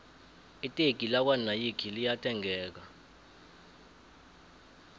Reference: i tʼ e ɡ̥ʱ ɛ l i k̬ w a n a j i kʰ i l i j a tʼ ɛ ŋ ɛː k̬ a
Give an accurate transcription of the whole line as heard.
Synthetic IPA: i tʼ e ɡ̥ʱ i l a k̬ w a n a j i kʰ i l i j a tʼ ɛ ŋ ɛː k̬ a